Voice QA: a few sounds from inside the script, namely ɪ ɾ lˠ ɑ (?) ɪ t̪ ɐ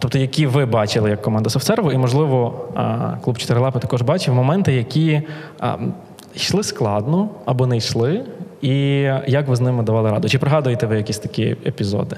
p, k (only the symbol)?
p